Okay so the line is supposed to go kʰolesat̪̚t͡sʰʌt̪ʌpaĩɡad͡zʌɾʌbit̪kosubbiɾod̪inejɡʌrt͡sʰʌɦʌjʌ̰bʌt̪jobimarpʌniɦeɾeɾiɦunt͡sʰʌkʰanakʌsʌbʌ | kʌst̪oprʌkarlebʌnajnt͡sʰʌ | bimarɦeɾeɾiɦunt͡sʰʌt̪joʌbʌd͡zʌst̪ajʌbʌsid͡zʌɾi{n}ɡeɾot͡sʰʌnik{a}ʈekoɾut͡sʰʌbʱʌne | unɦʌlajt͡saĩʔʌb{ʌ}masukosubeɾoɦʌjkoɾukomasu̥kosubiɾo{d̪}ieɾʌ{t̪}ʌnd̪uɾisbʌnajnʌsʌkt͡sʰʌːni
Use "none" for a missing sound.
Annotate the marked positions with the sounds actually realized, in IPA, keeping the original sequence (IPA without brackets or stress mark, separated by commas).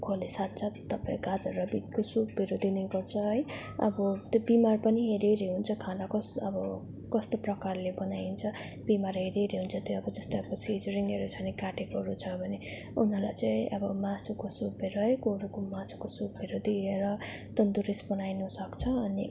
ŋ, a, ʌ, d̪, t̪